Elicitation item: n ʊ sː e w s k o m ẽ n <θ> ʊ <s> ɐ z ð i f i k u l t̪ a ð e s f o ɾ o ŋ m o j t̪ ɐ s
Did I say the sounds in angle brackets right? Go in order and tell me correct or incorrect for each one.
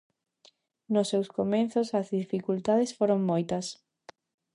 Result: correct, correct

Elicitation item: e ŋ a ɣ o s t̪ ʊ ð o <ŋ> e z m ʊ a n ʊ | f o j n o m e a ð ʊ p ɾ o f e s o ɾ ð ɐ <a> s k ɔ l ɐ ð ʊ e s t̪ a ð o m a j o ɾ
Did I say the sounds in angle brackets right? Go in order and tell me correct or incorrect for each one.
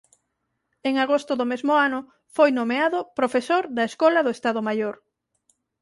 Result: incorrect: m, incorrect: e

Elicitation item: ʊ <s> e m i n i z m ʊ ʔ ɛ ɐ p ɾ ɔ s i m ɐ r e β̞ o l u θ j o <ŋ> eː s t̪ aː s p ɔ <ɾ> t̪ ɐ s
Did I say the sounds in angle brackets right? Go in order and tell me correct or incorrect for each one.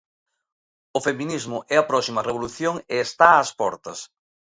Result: incorrect: f, correct, correct

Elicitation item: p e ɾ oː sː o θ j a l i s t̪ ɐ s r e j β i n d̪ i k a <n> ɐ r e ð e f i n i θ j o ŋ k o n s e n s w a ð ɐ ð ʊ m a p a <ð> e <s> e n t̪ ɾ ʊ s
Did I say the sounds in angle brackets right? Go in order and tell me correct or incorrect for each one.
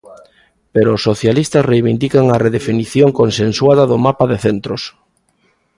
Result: incorrect: ŋ, correct, incorrect: θ

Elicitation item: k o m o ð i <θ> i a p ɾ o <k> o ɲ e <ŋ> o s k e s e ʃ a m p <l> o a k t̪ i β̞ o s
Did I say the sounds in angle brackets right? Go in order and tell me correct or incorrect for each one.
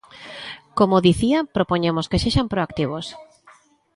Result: correct, incorrect: p, incorrect: m, incorrect: ɾ

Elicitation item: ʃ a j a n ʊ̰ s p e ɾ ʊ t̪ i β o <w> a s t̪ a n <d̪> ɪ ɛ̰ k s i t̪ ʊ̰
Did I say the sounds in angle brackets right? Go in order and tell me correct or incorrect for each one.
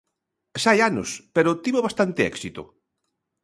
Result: incorrect: β, incorrect: t̪

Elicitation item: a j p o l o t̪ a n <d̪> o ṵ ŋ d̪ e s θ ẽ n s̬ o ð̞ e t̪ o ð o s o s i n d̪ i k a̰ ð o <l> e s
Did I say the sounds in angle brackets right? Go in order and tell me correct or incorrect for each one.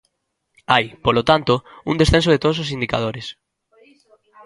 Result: incorrect: t̪, incorrect: ɾ

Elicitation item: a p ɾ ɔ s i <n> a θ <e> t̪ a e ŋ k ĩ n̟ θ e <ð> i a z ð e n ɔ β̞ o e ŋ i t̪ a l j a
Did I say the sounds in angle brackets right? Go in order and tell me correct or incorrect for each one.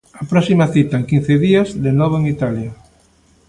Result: incorrect: m, incorrect: i, correct

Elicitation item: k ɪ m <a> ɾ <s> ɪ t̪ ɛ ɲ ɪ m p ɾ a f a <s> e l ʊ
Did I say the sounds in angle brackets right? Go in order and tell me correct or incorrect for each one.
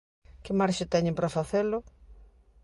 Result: correct, incorrect: ʃ, incorrect: θ

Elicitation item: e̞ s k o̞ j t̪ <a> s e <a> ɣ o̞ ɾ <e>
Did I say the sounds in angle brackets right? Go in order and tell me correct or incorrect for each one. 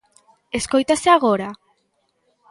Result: correct, correct, incorrect: a

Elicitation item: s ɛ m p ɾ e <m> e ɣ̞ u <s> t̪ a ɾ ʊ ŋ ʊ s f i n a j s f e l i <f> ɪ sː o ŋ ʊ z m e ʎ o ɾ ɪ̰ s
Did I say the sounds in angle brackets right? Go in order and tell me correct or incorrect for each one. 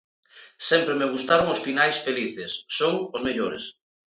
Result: correct, correct, incorrect: θ

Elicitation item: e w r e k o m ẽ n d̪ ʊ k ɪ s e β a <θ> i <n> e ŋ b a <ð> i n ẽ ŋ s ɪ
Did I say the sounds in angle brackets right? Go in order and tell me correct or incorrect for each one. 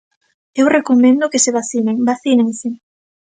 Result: correct, correct, incorrect: θ

